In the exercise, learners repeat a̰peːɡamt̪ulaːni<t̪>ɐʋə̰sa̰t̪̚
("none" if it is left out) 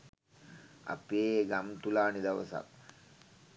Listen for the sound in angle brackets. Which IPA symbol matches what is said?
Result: d̪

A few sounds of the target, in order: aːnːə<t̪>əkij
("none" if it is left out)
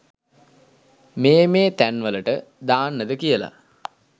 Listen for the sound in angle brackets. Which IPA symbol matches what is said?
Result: d̪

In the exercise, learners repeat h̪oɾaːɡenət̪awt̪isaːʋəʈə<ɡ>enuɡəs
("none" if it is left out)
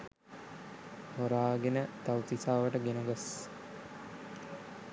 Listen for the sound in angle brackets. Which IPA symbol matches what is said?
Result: ɡ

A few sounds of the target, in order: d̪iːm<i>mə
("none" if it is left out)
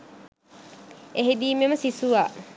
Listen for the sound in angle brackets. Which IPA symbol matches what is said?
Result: e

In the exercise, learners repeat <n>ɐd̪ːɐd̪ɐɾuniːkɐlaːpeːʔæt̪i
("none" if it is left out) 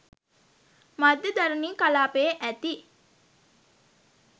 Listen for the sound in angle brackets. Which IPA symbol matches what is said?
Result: m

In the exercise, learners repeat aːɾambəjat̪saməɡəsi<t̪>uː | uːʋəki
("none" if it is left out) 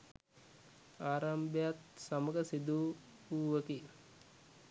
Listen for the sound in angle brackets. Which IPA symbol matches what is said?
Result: d̪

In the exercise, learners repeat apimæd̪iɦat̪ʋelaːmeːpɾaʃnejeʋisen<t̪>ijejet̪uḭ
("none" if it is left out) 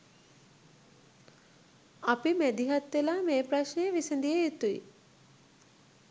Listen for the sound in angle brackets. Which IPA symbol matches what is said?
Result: d̪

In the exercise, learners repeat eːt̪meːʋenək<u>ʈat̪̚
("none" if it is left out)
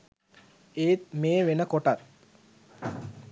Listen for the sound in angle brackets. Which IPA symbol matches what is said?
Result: o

